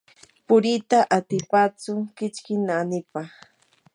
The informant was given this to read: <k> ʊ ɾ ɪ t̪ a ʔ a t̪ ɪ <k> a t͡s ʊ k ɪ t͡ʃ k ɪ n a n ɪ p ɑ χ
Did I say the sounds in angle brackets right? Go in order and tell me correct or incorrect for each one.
incorrect, incorrect

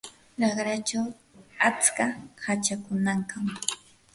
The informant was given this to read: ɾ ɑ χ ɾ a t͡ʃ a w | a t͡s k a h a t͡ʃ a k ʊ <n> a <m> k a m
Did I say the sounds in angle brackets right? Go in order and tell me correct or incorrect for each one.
correct, incorrect

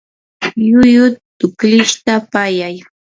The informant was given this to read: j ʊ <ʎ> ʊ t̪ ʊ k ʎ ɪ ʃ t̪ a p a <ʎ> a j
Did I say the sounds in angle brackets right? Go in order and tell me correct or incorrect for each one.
incorrect, incorrect

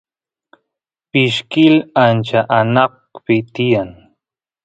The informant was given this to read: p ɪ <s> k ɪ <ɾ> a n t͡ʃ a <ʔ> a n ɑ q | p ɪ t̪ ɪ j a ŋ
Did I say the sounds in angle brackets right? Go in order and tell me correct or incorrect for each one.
incorrect, incorrect, correct

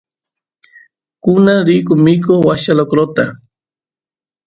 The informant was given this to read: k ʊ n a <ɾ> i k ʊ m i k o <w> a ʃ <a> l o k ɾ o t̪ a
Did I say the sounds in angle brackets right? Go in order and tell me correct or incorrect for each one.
correct, correct, correct

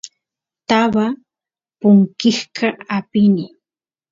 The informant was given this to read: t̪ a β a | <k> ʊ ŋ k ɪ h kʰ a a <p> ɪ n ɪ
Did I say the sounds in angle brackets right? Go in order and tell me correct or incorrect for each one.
incorrect, correct

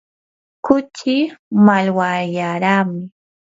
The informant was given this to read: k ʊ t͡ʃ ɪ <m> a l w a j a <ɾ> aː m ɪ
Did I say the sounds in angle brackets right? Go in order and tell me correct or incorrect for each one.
correct, correct

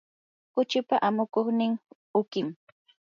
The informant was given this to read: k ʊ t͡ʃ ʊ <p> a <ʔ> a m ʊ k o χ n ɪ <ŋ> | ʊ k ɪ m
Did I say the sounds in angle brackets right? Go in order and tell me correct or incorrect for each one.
correct, correct, correct

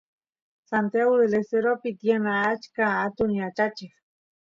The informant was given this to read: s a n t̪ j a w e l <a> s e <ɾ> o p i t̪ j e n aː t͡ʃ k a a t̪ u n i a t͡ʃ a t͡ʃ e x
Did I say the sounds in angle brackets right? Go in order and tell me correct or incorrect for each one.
incorrect, correct

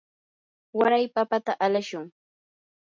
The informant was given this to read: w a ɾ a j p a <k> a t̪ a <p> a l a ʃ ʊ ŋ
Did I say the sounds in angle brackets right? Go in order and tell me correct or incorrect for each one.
incorrect, incorrect

